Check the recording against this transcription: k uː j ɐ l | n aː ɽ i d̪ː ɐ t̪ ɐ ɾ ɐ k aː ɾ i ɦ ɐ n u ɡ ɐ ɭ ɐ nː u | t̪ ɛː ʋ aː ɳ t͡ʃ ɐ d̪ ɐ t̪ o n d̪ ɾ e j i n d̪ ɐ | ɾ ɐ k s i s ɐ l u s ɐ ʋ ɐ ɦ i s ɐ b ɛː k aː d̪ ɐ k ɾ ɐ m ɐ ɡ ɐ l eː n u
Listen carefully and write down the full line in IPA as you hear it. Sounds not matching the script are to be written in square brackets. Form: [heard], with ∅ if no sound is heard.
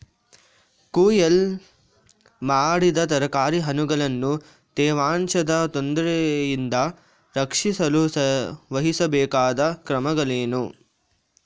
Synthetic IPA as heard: k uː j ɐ l | [m] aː ɽ i [d̪] ɐ t̪ ɐ ɾ ɐ k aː ɾ i ɦ ɐ n u ɡ ɐ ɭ ɐ nː u | t̪ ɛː ʋ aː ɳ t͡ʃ ɐ d̪ ɐ t̪ o n d̪ ɾ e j i n d̪ ɐ | ɾ ɐ k [ʂ] i s ɐ l u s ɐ ʋ ɐ ɦ i s ɐ b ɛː k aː d̪ ɐ k ɾ ɐ m ɐ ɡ ɐ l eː n u